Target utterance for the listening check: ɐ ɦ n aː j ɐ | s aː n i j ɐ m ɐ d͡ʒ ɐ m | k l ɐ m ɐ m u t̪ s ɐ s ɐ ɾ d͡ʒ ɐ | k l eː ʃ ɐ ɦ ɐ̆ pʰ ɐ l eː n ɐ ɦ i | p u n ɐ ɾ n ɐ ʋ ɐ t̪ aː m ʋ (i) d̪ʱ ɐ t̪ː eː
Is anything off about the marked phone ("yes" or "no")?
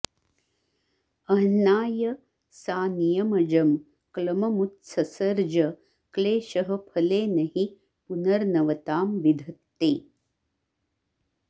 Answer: no